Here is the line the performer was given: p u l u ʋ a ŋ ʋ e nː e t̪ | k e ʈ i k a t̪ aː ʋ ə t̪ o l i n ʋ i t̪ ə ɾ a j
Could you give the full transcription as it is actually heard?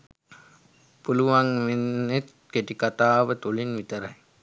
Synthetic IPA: p u l u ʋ a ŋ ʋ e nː e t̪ | k e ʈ i k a t̪ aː ʋ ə t̪ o l i n ʋ i t̪ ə ɾ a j

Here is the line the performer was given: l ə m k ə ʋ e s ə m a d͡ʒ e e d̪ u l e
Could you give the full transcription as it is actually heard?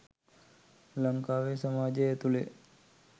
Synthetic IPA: l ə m k a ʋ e s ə m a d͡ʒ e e t̪ u l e

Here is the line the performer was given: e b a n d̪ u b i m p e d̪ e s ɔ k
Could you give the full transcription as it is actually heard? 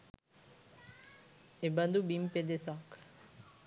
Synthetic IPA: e b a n d̪ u b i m p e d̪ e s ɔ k

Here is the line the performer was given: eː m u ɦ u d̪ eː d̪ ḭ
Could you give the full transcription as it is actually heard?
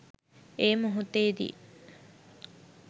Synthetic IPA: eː m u ɦ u t̪ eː d̪ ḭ

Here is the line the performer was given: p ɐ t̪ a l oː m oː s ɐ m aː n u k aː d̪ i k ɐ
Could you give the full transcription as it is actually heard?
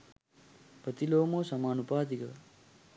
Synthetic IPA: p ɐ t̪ i l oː m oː s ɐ m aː n u p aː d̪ i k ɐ

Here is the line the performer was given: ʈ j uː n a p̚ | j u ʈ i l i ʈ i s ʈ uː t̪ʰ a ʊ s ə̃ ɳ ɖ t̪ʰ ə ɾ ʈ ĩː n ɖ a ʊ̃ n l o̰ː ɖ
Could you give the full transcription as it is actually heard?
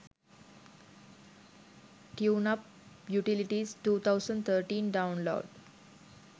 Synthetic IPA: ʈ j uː n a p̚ | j u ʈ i l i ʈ i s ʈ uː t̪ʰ a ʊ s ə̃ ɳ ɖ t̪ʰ ə ɾ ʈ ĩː n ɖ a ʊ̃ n l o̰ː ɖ

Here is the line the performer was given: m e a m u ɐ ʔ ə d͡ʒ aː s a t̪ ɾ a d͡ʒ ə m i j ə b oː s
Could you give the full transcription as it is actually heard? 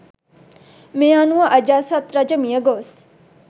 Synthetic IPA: m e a n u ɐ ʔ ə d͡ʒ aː s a t̪ ɾ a d͡ʒ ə m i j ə ɡ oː s

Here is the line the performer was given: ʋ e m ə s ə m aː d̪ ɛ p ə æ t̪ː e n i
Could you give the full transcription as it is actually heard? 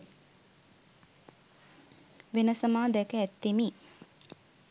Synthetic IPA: ʋ e n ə s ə m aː d̪ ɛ k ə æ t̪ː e m i

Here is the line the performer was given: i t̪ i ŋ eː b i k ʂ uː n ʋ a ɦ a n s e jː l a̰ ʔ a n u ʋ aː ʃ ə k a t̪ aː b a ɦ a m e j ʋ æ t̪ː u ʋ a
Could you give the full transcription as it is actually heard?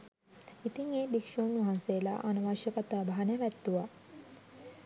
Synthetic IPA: i t̪ i ŋ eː b i k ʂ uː n ʋ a ɦ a n s e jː l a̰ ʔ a n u ʋ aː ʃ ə k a t̪ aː b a ɦ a n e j ʋ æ t̪ː u ʋ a

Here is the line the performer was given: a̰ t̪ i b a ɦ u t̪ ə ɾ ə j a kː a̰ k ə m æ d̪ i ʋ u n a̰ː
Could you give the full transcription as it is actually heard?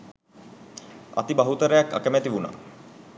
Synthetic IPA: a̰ t̪ i b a ɦ u t̪ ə ɾ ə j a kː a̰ k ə m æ t̪ i ʋ u n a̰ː

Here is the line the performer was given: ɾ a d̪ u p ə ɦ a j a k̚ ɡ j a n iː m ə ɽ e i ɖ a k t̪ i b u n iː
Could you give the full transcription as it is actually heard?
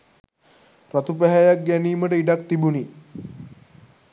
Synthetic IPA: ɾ a t̪ u p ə ɦ a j a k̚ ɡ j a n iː m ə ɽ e i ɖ a k t̪ i b u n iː

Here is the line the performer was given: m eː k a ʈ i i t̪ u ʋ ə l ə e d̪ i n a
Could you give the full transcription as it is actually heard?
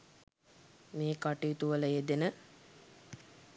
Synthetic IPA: m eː k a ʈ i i t̪ u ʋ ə l ə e d̪ e n ə

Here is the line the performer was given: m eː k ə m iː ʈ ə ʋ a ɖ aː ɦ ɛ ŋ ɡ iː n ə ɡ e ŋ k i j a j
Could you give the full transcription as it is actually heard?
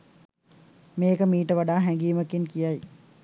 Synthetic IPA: m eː k ə m iː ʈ ə ʋ a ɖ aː ɦ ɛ ŋ ɡ iː m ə k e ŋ k i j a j

